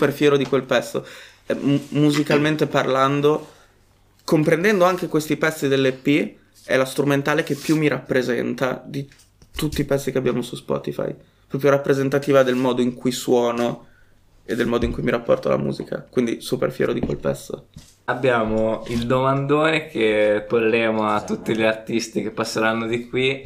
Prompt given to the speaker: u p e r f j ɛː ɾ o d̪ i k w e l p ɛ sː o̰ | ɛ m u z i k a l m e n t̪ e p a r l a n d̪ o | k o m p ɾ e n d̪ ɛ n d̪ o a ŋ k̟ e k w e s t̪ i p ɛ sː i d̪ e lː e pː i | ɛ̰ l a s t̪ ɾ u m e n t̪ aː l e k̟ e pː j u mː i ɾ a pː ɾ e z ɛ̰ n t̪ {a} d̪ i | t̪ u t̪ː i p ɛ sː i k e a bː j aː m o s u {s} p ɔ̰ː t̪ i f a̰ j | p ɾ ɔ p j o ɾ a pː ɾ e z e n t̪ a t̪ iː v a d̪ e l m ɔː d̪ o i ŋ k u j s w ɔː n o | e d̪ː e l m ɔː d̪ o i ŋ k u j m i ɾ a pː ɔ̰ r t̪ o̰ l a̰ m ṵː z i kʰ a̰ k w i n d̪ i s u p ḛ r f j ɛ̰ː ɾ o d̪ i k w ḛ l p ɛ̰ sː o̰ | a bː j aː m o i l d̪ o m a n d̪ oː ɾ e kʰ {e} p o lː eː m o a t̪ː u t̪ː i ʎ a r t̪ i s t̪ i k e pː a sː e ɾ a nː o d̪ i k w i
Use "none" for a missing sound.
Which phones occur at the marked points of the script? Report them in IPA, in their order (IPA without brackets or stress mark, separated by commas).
a, s, e